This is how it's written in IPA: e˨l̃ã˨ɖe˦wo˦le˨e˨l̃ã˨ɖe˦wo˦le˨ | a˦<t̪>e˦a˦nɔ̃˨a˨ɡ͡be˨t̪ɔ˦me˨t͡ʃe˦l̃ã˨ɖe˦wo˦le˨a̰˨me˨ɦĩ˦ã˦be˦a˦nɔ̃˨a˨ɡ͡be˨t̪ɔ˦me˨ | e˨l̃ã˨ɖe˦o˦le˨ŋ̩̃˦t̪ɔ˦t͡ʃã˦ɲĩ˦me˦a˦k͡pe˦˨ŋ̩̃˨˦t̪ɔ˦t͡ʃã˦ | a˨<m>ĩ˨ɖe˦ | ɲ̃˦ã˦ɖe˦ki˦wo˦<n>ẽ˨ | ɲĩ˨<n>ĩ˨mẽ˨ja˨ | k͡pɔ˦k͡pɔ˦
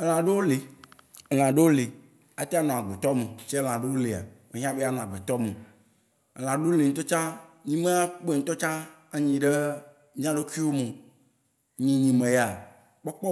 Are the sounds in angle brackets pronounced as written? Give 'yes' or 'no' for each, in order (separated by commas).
yes, no, no, no